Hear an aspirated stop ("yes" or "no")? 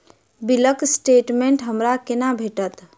no